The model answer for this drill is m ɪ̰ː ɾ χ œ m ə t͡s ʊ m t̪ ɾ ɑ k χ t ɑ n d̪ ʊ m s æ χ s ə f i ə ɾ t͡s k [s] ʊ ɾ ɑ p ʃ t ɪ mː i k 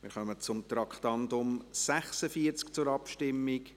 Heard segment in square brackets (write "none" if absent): t͡s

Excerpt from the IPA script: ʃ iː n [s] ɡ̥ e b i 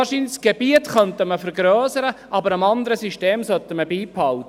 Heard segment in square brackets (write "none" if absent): s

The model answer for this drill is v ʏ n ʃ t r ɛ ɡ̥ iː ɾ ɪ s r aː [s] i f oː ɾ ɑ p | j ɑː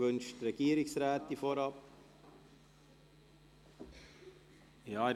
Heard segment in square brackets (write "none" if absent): t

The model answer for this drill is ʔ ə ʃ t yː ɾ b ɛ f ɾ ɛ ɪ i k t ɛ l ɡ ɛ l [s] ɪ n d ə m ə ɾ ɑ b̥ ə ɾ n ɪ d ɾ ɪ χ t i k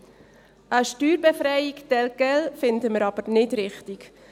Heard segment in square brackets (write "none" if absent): f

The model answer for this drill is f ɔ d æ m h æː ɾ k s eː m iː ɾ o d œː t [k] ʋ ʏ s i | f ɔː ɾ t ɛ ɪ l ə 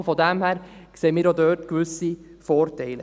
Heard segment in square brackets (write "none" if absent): k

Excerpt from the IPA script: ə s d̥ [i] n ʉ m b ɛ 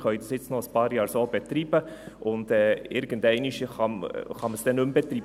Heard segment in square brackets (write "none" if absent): ɛ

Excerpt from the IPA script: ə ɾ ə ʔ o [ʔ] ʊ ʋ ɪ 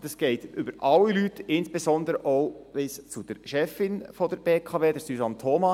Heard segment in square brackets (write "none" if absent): none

